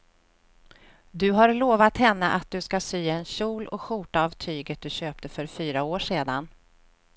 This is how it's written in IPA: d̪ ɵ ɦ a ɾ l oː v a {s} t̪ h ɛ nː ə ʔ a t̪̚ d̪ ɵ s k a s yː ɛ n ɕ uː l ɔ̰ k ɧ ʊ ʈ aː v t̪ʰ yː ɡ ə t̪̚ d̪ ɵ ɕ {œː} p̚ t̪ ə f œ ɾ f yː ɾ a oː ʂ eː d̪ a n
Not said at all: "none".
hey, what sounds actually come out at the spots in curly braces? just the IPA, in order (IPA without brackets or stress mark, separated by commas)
none, øː